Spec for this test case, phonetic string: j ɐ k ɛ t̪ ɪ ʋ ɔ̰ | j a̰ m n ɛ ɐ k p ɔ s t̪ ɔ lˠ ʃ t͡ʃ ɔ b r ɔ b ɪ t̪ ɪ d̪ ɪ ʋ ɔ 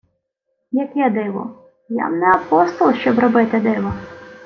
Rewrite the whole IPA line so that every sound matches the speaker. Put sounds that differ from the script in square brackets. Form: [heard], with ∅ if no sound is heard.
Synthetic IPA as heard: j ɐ k ɛ [d̪] ɪ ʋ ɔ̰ | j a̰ m n ɛ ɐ [∅] p ɔ s t̪ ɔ lˠ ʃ t͡ʃ ɔ b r ɔ b ɪ t̪ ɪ d̪ ɪ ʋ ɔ

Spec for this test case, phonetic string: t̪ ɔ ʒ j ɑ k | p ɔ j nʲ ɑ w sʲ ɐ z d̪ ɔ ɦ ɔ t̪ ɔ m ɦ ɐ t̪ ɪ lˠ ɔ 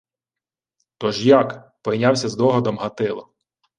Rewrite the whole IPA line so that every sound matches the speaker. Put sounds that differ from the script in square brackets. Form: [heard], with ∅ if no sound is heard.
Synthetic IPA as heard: t̪ ɔ ʒ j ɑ k | p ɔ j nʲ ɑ w sʲ ɐ z d̪ ɔ ɦ ɔ [d̪] ɔ m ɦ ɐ t̪ ɪ lˠ ɔ

